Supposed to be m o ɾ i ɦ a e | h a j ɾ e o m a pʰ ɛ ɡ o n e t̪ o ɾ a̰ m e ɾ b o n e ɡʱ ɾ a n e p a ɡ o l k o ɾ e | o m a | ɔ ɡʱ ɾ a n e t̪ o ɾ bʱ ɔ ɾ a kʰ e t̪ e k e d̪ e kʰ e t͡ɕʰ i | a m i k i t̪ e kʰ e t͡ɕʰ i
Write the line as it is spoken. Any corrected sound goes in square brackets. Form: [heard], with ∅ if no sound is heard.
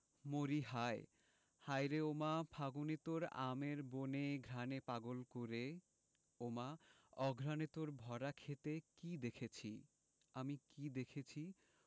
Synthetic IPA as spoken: m o ɾ i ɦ a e | h a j ɾ e o m a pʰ [a] ɡ o n e t̪ o ɾ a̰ m e ɾ b o n e ɡʱ ɾ a n e p a ɡ o l k o ɾ e | o m a | ɔ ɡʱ ɾ a n e t̪ o ɾ bʱ ɔ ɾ a kʰ e t̪ e k [i] d̪ e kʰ e t͡ɕʰ i | a m i k i [d̪] e kʰ e t͡ɕʰ i

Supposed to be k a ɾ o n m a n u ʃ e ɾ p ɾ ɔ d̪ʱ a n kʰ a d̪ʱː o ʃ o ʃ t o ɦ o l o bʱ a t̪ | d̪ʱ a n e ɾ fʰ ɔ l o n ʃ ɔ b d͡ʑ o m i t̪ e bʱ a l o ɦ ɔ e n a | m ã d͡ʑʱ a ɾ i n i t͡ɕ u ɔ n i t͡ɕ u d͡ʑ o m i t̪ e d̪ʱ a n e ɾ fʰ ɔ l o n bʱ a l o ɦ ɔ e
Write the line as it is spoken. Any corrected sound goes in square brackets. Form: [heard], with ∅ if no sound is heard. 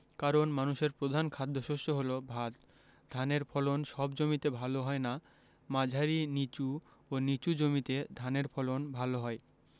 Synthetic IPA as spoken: k a ɾ o n m a n u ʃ e ɾ p ɾ [o] d̪ʱ a n kʰ a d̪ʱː o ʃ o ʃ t o ɦ o l o bʱ a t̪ | d̪ʱ a n e ɾ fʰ ɔ l o n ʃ ɔ b d͡ʑ o m i t̪ e bʱ a l o ɦ ɔ e n a | m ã d͡ʑʱ a ɾ i n i t͡ɕ u [o] n i t͡ɕ u d͡ʑ o m i t̪ e d̪ʱ a n e ɾ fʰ ɔ l o n bʱ a l o ɦ ɔ e

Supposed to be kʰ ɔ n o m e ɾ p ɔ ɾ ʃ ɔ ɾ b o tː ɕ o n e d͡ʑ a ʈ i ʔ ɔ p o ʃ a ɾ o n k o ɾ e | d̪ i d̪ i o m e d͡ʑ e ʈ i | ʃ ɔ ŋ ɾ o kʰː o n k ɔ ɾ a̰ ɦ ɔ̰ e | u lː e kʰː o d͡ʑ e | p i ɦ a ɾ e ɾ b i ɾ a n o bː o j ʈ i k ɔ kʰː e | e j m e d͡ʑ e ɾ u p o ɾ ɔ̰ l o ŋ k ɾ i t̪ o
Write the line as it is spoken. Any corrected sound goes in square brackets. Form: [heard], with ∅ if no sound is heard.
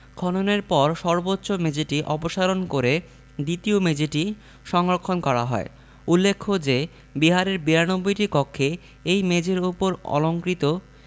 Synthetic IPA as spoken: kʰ ɔ n o [n] e ɾ p ɔ ɾ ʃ ɔ ɾ b o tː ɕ o [m] e d͡ʑ [e] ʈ i ʔ ɔ p o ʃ a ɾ o n k o ɾ e | d̪ i [t̪] i o m e d͡ʑ e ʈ i | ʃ ɔ ŋ ɾ o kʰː o n k ɔ ɾ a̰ ɦ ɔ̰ e | u lː e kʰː o d͡ʑ e | [b] i ɦ a ɾ e ɾ b i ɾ a n o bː o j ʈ i k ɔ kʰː e | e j m e d͡ʑ e ɾ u p o ɾ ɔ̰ l o ŋ k ɾ i t̪ o

